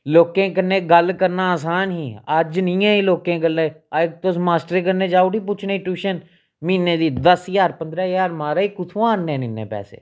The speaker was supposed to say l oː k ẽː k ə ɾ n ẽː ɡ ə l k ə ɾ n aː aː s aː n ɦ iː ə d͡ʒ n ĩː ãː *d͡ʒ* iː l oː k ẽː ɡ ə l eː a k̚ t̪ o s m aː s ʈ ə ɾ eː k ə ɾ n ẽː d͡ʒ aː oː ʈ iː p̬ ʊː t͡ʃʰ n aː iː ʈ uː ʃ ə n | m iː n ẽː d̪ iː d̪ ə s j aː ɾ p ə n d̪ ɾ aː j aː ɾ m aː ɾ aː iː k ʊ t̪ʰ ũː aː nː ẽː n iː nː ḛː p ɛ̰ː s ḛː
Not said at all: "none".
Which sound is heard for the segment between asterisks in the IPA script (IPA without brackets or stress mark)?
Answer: none